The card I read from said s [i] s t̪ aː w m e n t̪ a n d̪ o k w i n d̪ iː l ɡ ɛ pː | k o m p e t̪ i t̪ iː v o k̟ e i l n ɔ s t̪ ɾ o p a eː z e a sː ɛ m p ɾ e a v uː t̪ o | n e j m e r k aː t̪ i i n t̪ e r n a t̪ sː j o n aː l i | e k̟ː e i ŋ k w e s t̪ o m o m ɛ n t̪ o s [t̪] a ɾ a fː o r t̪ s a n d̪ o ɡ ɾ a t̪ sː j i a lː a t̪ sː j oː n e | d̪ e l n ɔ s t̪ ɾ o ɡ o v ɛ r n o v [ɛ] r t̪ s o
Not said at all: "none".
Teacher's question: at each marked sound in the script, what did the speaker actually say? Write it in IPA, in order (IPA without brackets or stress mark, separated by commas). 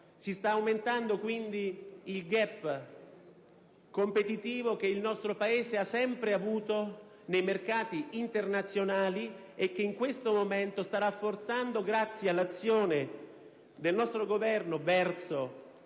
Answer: i, t̪, ɛ